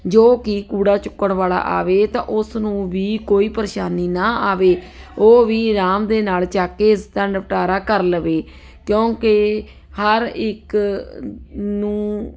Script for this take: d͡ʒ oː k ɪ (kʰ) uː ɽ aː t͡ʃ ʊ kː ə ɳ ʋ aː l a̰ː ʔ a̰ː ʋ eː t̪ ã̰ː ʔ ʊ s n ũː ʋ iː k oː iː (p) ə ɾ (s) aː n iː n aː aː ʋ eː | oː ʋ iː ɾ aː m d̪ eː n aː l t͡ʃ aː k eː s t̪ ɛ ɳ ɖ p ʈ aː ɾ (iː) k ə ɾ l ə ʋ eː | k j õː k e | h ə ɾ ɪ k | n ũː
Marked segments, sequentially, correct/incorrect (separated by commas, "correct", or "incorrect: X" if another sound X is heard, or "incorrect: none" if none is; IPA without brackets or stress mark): incorrect: k, correct, incorrect: ʃ, incorrect: aː